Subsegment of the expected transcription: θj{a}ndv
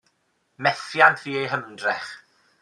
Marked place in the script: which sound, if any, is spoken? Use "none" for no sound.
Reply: a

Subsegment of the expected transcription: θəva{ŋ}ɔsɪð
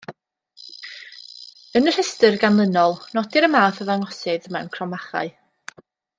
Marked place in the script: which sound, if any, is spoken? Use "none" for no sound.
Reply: ŋ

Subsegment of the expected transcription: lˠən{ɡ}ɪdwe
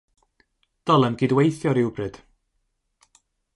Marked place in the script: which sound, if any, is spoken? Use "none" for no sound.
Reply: ɡ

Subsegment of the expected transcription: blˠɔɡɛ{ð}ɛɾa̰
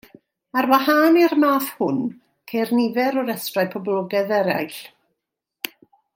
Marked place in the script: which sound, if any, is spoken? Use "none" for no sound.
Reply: ð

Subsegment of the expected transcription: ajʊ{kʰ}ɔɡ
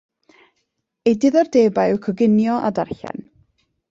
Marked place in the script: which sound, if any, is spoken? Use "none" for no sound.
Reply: kʰ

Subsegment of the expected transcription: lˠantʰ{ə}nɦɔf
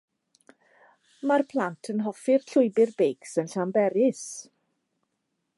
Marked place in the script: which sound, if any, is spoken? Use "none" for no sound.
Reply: ə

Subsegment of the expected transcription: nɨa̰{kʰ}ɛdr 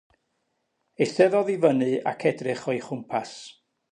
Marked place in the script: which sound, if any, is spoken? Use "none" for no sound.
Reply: kʰ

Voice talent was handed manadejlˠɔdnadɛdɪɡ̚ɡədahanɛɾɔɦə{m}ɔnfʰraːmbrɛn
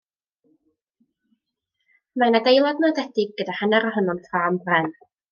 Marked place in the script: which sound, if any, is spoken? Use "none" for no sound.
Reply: n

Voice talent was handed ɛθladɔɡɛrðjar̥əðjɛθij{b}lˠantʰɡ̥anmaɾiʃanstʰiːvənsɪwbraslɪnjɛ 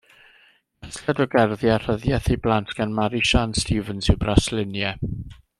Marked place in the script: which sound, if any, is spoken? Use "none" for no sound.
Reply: b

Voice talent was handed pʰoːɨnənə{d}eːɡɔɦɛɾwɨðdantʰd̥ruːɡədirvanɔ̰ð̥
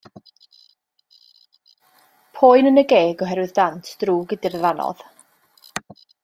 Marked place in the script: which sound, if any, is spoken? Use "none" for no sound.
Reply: ɡ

